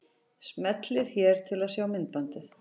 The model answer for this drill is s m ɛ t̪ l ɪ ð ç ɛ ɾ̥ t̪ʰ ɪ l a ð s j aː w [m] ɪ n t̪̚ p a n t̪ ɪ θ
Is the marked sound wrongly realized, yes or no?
no